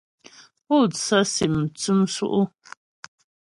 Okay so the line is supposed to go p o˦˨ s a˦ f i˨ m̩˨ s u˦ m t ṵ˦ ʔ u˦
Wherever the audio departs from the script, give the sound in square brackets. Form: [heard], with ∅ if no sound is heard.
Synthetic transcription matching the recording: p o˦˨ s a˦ [s] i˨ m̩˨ [t͡s] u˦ m [s] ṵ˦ ʔ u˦

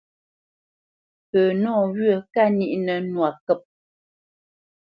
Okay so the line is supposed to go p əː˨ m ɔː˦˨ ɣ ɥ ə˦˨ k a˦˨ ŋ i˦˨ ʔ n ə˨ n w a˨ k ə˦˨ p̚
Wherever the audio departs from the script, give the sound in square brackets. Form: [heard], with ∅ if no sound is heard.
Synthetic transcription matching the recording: p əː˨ [n] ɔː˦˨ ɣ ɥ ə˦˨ k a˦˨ [n] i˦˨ ʔ n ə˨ n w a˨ k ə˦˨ p̚

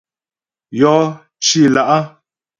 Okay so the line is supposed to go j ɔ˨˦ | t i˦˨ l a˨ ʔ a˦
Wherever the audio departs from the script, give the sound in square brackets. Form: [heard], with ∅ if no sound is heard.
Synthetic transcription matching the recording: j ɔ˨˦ | [t͡ʃ] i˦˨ l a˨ ʔ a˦

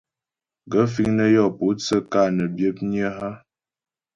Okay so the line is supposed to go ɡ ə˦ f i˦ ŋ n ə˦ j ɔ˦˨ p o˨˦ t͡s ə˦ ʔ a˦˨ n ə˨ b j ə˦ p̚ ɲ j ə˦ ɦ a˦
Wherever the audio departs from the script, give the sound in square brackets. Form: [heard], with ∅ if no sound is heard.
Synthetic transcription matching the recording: ɡ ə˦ f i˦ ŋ n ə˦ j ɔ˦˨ p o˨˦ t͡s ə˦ [k] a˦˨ n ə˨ b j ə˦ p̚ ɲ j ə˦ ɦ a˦

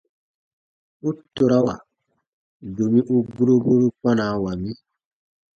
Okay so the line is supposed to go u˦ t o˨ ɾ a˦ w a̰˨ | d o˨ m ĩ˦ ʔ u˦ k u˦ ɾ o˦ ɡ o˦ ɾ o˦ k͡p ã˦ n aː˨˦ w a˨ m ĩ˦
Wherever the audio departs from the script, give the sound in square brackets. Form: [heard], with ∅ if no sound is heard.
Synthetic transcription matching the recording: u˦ t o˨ ɾ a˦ w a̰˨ | d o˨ m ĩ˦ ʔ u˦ [ɡ] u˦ ɾ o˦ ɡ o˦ ɾ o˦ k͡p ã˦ n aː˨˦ w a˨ m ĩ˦

